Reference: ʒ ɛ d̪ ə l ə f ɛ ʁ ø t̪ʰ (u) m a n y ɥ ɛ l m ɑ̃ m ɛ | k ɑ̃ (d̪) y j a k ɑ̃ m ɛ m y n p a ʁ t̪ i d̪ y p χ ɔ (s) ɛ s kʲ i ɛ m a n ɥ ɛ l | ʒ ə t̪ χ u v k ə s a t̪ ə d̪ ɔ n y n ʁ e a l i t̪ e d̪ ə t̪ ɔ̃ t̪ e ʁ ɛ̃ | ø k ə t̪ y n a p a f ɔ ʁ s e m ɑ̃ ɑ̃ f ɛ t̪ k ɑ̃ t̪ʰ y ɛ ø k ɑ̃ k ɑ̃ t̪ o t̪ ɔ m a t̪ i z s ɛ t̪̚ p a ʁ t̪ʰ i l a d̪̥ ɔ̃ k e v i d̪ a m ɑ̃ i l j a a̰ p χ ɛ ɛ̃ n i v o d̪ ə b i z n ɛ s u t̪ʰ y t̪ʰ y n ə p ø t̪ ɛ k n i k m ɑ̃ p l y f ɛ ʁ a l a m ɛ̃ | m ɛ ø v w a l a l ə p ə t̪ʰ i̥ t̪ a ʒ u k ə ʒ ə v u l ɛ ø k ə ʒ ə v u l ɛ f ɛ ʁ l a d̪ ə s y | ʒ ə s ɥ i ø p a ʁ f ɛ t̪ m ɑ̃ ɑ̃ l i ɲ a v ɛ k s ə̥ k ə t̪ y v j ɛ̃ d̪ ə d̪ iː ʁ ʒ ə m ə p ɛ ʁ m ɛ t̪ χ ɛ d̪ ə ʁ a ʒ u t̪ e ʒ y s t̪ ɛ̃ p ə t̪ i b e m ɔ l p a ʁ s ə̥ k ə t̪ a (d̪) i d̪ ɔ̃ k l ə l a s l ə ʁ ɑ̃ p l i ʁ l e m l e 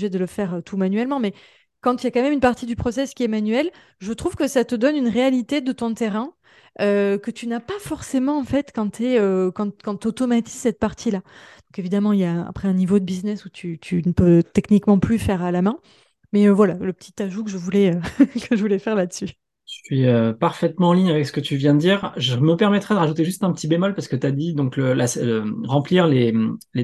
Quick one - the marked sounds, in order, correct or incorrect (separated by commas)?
correct, incorrect, correct, correct